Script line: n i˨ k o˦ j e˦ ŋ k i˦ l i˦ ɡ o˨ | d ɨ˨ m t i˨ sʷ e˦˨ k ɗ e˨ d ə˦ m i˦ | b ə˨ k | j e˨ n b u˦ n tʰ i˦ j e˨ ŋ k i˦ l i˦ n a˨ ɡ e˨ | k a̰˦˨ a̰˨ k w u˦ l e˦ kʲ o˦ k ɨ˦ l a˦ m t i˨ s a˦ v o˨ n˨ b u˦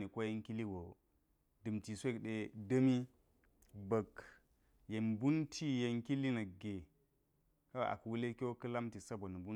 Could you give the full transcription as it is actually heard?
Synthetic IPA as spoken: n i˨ k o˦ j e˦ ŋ k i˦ l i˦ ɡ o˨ | d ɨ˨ m t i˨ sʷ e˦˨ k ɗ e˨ d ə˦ m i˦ | b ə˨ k | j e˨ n b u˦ n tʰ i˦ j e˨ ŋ k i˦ l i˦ n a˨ ɡ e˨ | k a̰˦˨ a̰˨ k w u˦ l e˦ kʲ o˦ k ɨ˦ l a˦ m t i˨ s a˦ b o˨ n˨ b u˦

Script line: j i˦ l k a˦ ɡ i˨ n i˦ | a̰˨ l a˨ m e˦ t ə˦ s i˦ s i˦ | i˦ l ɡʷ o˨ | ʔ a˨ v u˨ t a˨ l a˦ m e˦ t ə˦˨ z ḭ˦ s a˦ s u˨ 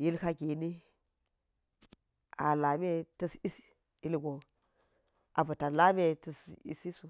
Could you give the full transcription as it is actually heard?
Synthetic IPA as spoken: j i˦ l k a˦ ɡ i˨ n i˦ | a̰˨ l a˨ m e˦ t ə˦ s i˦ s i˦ | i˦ l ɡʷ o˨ | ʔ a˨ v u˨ t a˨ l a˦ m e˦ t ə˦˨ s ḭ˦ s i˦ s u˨

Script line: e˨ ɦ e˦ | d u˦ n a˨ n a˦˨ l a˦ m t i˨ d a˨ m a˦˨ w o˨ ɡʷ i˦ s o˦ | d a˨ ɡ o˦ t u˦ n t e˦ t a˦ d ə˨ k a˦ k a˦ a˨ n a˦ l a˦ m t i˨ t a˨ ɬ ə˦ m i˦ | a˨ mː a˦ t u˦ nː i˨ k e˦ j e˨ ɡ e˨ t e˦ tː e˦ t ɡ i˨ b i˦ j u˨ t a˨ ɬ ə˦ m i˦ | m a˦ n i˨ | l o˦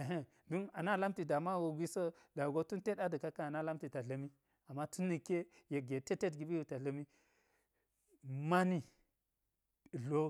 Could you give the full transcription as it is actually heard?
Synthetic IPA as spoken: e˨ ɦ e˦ | d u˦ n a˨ n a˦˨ l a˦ m t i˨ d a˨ m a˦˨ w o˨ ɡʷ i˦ s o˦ | d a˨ ɡ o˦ t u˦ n t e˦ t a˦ d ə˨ k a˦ k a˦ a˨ n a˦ l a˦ m t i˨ t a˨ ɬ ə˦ m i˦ | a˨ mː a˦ t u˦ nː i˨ k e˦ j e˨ ɡ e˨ t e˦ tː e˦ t ɡ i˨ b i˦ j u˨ t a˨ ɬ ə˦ m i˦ | m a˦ n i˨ | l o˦

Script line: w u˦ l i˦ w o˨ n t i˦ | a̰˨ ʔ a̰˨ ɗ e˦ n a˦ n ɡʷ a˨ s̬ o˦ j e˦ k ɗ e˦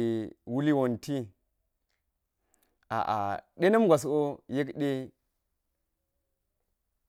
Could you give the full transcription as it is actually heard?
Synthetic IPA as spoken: w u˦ l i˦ w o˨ n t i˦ | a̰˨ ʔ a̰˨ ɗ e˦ n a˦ m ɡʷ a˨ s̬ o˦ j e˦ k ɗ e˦

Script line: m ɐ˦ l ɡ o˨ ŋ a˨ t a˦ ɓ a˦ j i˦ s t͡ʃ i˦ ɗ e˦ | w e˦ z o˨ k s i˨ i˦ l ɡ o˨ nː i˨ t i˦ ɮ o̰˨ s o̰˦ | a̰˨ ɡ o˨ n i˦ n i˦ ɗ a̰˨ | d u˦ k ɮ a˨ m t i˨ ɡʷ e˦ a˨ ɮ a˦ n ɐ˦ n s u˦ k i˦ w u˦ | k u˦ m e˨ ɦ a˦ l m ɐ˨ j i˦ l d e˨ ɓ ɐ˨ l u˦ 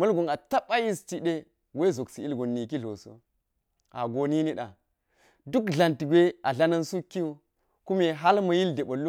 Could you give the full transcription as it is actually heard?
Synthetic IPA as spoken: m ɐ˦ l ɡ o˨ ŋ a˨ t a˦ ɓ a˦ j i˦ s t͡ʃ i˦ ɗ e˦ | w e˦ z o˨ k s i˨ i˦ l ɡ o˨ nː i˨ k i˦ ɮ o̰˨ s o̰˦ | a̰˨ ɡ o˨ n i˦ n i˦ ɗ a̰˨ | d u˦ k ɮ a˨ n t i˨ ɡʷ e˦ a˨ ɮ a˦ n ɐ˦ n s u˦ k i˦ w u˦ | k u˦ m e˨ ɦ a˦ l m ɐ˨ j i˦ l d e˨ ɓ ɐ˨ l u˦

